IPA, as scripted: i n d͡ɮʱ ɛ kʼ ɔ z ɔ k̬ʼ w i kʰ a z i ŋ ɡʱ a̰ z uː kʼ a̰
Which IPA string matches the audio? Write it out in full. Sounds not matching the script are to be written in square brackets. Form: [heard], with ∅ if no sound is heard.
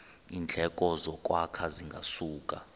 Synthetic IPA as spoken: i n d͡ɮʱ ɛ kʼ ɔ z ɔ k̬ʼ w [a] kʰ a z i ŋ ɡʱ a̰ [s] uː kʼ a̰